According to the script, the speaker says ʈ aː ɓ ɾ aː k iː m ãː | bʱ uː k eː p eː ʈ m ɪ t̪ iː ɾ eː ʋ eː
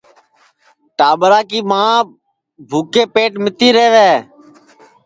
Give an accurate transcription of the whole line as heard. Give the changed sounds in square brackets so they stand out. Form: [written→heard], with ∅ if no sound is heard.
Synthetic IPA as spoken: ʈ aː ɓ ɾ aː k iː m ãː | bʱ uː k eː p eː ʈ m ɪ t̪ iː ɾ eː ʋ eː